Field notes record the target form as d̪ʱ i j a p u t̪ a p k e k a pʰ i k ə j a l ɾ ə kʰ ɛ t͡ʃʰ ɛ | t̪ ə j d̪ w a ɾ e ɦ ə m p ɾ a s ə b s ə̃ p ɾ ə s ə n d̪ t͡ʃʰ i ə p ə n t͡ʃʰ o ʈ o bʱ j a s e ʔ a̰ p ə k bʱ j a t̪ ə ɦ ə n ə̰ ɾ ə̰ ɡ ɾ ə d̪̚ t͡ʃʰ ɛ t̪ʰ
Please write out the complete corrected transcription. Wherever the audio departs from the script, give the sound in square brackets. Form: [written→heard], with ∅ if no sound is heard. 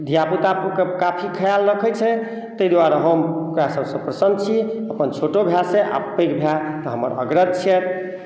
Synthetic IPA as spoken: d̪ʱ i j a p u t̪ a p k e k a pʰ i [k→kʰ] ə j a l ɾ ə kʰ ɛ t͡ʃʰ ɛ | t̪ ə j d̪ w a ɾ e ɦ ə m [p→k] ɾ a s ə b s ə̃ p ɾ ə s ə n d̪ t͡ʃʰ i ə p ə n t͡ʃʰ o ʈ o bʱ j a s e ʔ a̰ p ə k bʱ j a t̪ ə ɦ ə [n→m] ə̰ ɾ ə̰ ɡ ɾ ə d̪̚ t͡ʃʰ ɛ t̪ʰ